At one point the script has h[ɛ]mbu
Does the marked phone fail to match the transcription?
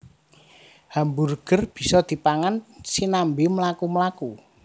yes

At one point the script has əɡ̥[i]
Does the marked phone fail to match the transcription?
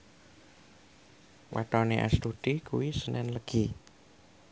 no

